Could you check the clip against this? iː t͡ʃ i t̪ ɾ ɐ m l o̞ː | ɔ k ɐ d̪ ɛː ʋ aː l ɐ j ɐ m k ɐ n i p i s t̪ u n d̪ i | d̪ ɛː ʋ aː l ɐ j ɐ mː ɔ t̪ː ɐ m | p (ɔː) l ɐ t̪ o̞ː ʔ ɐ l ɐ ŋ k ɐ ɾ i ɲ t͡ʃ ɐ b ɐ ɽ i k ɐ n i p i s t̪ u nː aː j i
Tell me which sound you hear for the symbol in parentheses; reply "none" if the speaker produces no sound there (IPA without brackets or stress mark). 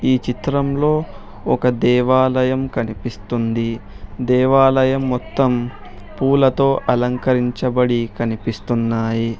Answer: uː